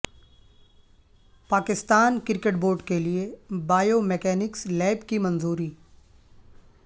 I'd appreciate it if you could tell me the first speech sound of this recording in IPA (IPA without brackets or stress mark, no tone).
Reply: p